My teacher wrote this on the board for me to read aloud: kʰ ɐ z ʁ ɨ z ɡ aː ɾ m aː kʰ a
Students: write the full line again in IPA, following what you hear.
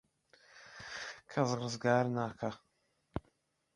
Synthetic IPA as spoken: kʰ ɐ z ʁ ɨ z ɡ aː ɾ n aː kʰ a